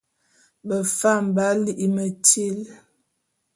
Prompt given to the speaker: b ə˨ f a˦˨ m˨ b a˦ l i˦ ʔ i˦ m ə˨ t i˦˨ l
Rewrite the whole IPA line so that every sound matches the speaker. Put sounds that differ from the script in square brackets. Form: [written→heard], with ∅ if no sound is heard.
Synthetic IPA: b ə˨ f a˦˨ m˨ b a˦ l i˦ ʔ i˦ m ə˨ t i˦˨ l

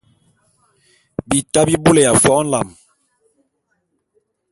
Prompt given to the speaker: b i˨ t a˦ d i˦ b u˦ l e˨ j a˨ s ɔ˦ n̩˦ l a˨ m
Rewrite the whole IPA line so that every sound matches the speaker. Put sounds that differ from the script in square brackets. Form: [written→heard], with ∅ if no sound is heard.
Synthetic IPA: b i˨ t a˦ [d→b] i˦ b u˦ l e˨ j a˨ [s→f] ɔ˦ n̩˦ l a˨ m

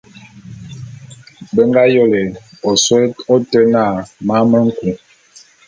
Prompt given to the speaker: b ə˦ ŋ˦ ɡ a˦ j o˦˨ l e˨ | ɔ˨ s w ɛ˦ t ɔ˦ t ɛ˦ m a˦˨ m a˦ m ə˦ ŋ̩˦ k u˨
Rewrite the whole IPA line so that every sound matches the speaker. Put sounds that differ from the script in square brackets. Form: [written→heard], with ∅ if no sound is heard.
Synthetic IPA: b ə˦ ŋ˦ ɡ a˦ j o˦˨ l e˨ | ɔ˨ s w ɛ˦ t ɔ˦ t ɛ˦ [m→n] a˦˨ m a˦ m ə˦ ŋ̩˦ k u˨

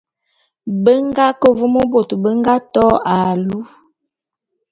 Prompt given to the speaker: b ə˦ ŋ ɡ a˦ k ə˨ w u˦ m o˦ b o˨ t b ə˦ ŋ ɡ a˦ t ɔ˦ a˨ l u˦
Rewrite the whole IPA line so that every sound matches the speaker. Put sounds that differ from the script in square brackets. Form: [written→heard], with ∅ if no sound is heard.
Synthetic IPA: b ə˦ ŋ ɡ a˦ k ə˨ [w→v] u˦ m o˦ b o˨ t b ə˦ ŋ ɡ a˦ t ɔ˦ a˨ l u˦

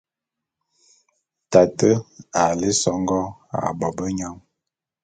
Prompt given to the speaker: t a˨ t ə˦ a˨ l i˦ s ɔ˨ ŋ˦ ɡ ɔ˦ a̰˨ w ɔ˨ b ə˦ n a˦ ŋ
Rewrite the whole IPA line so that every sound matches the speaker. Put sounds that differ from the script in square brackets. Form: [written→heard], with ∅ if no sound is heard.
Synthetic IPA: t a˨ t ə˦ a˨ l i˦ s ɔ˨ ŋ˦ ɡ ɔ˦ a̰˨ [w→b] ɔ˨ b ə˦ [n→ɲ] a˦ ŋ

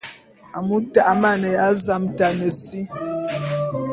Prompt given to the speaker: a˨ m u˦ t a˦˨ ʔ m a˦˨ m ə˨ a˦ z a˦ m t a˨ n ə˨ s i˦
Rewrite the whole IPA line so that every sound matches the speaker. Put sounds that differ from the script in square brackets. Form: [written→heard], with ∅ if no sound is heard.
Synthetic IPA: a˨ m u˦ t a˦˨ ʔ m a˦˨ [m→n] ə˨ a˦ z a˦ m t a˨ n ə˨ s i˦

